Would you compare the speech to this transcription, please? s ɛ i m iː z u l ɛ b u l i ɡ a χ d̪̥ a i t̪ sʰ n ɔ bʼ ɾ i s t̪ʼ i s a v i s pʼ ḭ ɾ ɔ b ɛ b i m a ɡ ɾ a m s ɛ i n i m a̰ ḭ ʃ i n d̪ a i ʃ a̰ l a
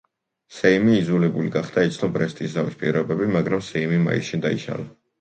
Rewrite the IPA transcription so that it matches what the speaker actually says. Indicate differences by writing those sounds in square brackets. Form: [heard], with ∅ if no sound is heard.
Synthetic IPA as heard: s ɛ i m iː z u l ɛ b u l i ɡ a χ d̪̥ a i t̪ sʰ n ɔ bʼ ɾ [ɛ] s t̪ʼ i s a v i s pʼ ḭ ɾ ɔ b ɛ b i m a ɡ ɾ a m s ɛ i [m] i m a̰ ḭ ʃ i n d̪ a i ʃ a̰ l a

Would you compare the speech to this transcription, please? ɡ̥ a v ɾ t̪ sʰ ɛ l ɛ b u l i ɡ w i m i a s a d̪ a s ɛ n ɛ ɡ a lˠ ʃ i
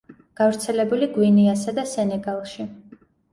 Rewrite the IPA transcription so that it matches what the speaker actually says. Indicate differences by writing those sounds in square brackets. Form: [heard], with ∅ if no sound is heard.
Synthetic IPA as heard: ɡ̥ a v ɾ t̪ sʰ ɛ l ɛ b u l i ɡ w i [n] i a s a d̪ a s ɛ n ɛ ɡ a lˠ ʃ i

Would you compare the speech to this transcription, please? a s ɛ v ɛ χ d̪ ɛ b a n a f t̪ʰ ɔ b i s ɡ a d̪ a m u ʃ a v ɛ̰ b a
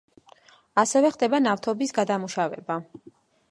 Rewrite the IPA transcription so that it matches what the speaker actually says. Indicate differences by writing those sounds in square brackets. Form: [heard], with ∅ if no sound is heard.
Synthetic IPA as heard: a s ɛ v ɛ χ d̪ ɛ b a n a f t̪ʰ ɔ b i s ɡ a d̪ a m u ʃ a v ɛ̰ b a

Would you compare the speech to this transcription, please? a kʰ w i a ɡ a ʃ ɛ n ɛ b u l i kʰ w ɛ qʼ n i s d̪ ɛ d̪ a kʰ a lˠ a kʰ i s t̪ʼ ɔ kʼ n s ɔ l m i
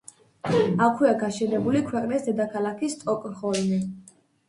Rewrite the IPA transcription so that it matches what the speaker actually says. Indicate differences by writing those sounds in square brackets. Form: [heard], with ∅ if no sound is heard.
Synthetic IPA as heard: a kʰ w i a ɡ a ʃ ɛ n ɛ b u l i kʰ w ɛ qʼ n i s d̪ ɛ d̪ a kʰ a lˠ a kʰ i s t̪ʼ ɔ kʼ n [χ] ɔ l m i

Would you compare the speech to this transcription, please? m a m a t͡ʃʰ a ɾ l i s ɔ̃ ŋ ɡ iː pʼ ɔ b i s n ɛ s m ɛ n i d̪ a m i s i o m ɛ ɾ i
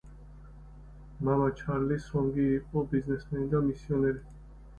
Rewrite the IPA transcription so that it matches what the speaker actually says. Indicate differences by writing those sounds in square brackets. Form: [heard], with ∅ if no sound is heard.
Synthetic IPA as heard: m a m a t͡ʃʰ a ɾ l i s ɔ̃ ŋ ɡ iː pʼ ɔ b i [z] n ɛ s m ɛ n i d̪ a m i s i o [n] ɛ ɾ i

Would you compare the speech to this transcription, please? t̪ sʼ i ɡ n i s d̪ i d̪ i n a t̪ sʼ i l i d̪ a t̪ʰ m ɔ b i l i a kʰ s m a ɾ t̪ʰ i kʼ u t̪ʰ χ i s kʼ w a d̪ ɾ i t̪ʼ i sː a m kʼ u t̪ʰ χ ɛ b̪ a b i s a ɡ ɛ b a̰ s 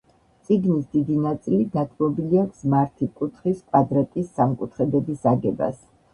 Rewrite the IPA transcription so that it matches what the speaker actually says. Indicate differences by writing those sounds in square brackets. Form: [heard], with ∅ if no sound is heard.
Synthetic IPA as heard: t̪ sʼ i ɡ n i s d̪ i d̪ i n a t̪ sʼ i l i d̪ a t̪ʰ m ɔ b i l i a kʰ s m a ɾ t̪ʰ i kʼ u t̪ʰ χ i s kʼ w a d̪ ɾ [a] t̪ʼ i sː a m kʼ u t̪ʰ χ ɛ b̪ [ɛ] b i s a ɡ ɛ b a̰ s

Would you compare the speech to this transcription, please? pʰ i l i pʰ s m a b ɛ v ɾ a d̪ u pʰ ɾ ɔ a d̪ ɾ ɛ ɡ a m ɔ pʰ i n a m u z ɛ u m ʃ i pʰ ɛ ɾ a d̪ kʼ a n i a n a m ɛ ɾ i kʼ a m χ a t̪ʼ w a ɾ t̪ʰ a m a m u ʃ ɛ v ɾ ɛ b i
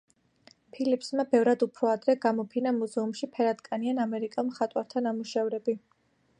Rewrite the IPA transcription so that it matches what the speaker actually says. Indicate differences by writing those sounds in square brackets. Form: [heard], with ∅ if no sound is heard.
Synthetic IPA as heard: pʰ i l i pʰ s m a b ɛ v ɾ a d̪ u pʰ ɾ ɔ a d̪ ɾ ɛ ɡ a m ɔ pʰ i n a m u z ɛ u m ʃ i pʰ ɛ ɾ a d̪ kʼ a n i a n a m ɛ ɾ i kʼ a m χ a t̪ʼ w a ɾ t̪ʰ a [n] a m u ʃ ɛ v ɾ ɛ b i

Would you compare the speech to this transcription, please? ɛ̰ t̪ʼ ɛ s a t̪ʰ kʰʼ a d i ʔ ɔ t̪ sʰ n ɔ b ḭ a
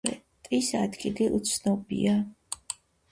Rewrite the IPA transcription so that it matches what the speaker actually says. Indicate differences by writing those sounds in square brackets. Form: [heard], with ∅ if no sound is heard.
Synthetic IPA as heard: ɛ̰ t̪ʼ [i] s a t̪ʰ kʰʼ [i] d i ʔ [u] t̪ sʰ n ɔ b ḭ a

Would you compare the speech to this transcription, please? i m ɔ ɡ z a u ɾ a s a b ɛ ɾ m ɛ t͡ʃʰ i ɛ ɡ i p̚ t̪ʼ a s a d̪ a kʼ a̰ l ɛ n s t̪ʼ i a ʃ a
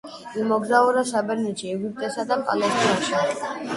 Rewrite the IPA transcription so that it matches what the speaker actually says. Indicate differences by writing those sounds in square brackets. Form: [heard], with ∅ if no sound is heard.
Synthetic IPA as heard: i m ɔ ɡ z a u ɾ a s a b ɛ ɾ [n] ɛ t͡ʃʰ i ɛ ɡ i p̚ t̪ʼ [ɛ] s a d̪ a [pʼ] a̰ l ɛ [∅] s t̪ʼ i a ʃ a

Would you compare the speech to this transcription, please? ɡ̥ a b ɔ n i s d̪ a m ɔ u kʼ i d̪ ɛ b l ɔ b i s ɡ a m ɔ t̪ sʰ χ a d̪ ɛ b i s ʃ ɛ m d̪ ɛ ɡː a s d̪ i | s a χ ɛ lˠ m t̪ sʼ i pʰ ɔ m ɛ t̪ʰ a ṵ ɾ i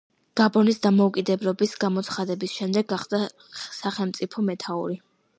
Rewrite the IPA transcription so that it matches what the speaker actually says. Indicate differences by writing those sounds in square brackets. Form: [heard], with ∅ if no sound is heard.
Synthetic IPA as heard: ɡ̥ a b ɔ n i s d̪ a m ɔ u kʼ i d̪ ɛ b l ɔ b i s ɡ a m ɔ t̪ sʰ χ a d̪ ɛ b i s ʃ ɛ m d̪ ɛ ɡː a [χ] d̪ [a] | s a χ ɛ lˠ m t̪ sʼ i pʰ ɔ m ɛ t̪ʰ a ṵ ɾ i

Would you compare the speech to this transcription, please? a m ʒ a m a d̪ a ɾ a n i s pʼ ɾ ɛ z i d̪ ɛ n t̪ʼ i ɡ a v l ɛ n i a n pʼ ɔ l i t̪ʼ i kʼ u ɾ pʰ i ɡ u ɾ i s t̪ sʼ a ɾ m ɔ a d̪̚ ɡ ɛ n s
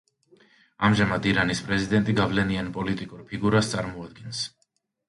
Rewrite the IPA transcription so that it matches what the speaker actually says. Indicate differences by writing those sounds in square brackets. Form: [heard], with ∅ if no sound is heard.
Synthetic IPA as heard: a m ʒ a m a d̪ [i] ɾ a n i s pʼ ɾ ɛ z i d̪ ɛ n t̪ʼ i ɡ a v l ɛ n i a n pʼ ɔ l i t̪ʼ i kʼ u ɾ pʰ i ɡ u ɾ [a] s t̪ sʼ a ɾ m ɔ a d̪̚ ɡ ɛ n s

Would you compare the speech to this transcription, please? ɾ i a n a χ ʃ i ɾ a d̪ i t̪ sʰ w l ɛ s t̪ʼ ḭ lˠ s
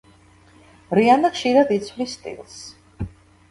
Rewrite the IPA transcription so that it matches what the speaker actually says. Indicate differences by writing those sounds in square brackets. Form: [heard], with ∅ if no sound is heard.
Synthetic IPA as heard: ɾ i a n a χ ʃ i ɾ a d̪ i t̪ sʰ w l [i] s t̪ʼ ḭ lˠ s

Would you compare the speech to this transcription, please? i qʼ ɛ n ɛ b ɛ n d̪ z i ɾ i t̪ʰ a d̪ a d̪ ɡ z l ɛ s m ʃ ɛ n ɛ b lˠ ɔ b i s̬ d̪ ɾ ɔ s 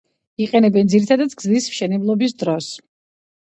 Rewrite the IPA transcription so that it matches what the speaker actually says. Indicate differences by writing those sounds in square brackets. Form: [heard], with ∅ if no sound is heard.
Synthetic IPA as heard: i qʼ ɛ n ɛ b ɛ n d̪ z i ɾ i t̪ʰ a d̪ a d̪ ɡ z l [i] s m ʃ ɛ n ɛ b lˠ ɔ b i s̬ d̪ ɾ ɔ s

